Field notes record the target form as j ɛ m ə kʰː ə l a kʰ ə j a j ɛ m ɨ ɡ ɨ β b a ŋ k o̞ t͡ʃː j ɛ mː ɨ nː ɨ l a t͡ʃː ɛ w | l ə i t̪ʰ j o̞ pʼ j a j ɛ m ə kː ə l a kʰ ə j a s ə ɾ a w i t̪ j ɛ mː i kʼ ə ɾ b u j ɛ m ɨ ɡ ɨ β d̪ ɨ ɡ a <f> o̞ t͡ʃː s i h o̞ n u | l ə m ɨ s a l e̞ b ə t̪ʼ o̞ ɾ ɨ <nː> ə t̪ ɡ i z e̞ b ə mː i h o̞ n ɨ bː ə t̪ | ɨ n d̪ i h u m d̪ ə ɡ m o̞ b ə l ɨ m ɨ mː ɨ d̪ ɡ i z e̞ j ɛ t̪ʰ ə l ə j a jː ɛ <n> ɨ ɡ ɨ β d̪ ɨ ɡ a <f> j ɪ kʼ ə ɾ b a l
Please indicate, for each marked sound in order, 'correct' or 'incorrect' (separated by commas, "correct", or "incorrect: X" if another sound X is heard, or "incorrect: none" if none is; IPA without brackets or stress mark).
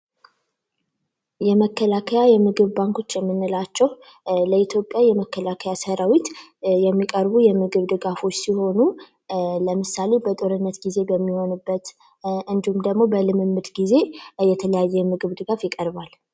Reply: correct, correct, incorrect: m, correct